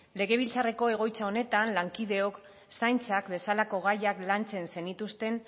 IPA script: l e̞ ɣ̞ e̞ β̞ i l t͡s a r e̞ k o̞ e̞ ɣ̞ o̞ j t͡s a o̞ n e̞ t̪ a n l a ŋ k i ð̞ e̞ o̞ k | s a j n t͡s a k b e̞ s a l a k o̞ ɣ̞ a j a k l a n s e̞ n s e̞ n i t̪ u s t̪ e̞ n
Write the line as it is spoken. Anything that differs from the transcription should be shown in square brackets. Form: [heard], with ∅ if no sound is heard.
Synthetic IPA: l e̞ ɣ̞ e̞ β̞ i l t͡s a r e̞ k o̞ e̞ ɣ̞ o̞ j t͡s a o̞ n e̞ t̪ a n l a ŋ k i ð̞ e̞ o̞ k | s a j n t͡s a k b e̞ s a l a k o̞ ɣ̞ a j a k l a n [t͡s] e̞ n s e̞ n i t̪ u s t̪ e̞ n